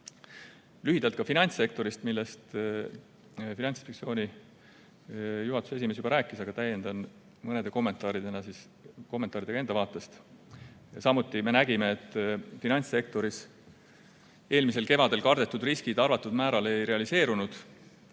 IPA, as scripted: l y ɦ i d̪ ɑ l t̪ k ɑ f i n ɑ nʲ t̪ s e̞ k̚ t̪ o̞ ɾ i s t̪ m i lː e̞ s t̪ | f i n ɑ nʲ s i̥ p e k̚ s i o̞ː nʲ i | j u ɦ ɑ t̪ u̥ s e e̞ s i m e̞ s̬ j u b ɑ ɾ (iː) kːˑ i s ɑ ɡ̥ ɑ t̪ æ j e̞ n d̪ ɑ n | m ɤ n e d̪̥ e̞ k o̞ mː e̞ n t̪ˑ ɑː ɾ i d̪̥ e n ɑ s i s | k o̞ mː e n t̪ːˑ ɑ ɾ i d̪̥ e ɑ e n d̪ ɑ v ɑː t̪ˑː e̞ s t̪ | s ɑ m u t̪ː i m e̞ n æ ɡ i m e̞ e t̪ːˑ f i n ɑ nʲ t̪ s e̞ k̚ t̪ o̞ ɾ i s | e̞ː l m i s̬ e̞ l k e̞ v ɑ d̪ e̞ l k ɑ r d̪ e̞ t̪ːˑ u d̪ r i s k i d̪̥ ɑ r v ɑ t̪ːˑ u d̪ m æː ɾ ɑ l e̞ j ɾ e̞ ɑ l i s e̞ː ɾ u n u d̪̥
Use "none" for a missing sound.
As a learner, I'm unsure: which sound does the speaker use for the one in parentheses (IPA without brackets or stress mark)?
æː